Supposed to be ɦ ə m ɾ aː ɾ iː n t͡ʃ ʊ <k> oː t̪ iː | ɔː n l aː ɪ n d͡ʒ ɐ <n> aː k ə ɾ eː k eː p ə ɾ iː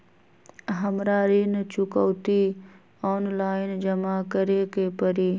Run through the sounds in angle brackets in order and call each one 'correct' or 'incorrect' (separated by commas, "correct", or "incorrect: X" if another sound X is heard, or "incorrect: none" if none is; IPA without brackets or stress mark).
correct, incorrect: m